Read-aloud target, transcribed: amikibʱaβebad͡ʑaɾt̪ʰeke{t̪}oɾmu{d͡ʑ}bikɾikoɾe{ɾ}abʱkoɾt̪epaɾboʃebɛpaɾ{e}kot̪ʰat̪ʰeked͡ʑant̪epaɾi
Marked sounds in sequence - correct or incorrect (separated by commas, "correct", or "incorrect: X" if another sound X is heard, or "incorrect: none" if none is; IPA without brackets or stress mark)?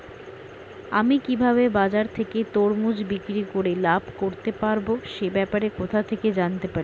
correct, correct, incorrect: l, correct